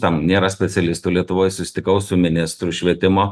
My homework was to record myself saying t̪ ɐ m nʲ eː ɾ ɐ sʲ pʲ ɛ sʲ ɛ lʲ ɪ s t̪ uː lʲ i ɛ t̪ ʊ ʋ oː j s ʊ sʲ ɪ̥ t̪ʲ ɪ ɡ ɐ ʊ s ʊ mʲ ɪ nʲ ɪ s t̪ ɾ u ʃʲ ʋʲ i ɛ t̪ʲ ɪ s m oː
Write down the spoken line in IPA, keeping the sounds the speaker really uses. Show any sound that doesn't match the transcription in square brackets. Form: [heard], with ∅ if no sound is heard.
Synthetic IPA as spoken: t̪ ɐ m nʲ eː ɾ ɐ sʲ pʲ ɛ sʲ ɛ lʲ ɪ s t̪ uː lʲ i ɛ t̪ ʊ ʋ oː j s ʊ sʲ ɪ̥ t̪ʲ ɪ [k] ɐ ʊ s ʊ mʲ ɪ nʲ ɪ s t̪ ɾ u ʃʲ ʋʲ i ɛ t̪ʲ ɪ [∅] m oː